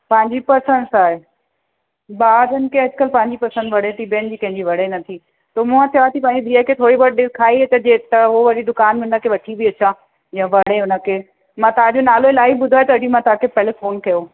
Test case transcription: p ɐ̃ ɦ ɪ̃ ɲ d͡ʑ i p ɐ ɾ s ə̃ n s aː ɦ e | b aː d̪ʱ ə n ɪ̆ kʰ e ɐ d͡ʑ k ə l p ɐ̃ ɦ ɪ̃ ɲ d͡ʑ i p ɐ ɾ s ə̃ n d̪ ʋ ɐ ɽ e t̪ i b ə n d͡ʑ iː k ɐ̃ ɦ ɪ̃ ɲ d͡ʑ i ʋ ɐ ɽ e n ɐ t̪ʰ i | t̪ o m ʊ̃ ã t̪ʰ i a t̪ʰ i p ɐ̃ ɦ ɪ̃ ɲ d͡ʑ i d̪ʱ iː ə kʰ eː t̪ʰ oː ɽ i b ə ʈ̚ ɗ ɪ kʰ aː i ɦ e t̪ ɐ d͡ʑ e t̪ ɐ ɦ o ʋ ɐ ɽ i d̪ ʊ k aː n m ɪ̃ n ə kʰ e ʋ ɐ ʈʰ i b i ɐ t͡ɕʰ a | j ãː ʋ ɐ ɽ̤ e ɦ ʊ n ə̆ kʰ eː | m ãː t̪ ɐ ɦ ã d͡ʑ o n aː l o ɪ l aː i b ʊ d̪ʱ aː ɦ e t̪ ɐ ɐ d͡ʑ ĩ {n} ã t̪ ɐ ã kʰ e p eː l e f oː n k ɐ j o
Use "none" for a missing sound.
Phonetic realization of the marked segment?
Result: m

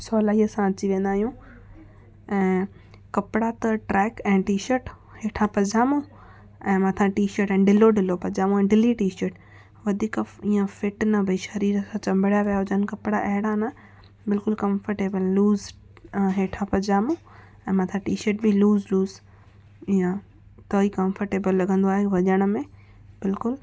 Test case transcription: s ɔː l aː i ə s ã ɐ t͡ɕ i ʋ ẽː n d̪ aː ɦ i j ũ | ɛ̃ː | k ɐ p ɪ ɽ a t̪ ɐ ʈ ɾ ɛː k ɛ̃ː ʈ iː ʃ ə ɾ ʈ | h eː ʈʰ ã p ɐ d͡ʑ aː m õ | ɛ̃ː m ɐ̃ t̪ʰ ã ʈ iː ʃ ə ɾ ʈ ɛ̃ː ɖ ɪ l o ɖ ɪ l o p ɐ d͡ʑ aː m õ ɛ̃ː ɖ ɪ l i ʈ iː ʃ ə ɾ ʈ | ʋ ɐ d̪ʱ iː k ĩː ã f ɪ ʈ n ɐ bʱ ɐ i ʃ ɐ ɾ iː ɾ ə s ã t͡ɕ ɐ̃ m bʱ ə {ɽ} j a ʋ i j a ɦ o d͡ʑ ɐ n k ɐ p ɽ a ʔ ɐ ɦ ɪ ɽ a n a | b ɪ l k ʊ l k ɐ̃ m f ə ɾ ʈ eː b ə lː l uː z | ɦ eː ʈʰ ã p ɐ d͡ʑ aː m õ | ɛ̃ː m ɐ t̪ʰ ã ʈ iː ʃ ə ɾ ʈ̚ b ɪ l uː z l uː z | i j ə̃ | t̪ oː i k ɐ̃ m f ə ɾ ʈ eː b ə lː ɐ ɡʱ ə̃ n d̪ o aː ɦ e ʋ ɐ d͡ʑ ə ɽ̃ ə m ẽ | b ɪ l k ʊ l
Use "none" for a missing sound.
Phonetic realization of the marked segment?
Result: ɽ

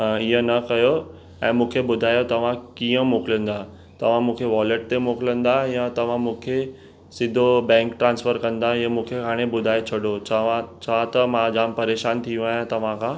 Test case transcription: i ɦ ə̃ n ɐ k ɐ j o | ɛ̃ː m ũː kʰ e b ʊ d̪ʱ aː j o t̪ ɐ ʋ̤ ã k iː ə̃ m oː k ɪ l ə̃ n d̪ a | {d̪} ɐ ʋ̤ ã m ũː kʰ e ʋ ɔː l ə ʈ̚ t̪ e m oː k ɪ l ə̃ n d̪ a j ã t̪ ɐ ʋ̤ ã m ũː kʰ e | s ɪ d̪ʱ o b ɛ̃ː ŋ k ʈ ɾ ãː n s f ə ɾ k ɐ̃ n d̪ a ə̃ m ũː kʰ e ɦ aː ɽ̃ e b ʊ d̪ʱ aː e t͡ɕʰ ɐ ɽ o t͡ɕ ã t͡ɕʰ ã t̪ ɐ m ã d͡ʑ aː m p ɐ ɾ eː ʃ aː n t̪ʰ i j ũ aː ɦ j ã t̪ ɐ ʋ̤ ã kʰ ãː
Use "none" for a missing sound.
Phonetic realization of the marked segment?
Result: t̪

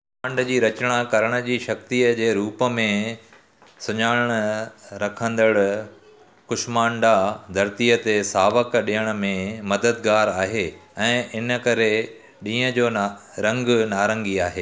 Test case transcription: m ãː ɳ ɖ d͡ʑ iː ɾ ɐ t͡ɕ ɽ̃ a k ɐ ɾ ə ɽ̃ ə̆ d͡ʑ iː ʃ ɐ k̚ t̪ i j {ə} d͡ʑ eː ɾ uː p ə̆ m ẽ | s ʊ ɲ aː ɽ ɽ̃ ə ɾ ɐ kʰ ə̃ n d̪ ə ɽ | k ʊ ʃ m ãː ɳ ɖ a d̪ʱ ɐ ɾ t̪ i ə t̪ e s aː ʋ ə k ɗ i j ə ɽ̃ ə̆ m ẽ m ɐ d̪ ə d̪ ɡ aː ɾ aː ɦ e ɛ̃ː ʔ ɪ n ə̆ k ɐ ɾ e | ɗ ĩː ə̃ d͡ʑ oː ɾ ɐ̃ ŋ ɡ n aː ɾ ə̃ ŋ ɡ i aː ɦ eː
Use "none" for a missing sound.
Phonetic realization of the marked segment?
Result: ə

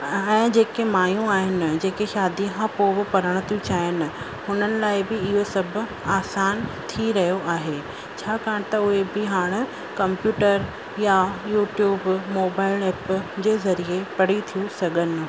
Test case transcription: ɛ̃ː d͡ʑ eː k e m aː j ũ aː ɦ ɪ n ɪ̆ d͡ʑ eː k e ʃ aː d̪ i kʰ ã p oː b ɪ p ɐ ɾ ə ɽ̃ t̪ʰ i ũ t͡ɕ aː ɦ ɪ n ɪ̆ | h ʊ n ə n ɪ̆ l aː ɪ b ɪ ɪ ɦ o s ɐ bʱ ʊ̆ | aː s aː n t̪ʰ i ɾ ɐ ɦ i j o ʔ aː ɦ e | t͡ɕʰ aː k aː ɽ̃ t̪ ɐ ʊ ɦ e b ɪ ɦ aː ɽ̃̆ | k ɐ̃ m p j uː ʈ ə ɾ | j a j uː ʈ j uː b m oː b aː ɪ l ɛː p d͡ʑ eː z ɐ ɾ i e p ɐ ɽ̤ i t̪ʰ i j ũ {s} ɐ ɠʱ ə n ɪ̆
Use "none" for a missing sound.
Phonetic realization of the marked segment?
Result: s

